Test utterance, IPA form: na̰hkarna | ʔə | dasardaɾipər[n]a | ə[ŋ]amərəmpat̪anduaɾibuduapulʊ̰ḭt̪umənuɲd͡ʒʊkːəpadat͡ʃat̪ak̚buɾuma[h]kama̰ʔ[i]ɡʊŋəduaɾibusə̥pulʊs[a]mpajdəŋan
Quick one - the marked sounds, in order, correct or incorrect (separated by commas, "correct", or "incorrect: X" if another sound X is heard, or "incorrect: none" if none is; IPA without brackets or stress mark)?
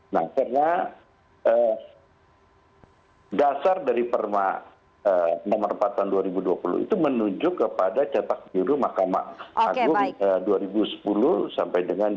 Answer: incorrect: m, incorrect: n, correct, incorrect: a, correct